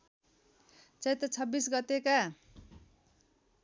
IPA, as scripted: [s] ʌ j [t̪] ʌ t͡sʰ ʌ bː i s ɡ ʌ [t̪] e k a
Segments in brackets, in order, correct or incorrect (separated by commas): incorrect, correct, correct